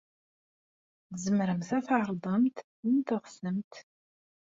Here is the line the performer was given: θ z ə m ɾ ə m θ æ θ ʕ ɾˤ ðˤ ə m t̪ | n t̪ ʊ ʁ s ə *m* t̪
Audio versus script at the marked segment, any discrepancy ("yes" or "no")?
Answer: no